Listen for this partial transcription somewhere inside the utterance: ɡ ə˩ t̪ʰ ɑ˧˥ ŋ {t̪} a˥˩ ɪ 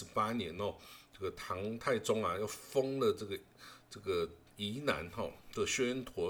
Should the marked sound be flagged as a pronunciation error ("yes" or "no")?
yes